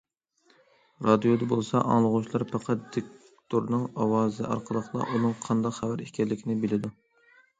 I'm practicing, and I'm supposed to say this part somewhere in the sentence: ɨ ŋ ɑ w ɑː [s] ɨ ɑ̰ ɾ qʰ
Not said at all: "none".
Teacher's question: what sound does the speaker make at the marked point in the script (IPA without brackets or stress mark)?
z